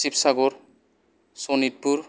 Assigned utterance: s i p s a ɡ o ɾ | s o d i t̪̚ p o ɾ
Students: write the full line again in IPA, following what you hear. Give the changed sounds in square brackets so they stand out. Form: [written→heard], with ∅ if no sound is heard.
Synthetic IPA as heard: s i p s a ɡ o ɾ | s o [d→n] i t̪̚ p [o→u] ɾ